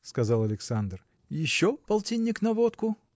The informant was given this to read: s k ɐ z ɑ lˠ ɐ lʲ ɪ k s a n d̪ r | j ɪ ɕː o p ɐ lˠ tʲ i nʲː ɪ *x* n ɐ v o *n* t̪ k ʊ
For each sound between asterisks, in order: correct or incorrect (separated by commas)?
incorrect, incorrect